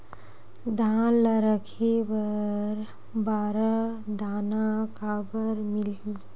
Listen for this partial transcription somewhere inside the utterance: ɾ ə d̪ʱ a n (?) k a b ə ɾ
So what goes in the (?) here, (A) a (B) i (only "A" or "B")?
A